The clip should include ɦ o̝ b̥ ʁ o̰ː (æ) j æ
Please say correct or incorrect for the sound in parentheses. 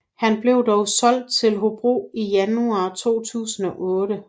incorrect